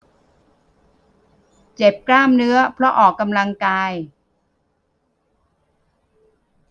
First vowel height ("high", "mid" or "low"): mid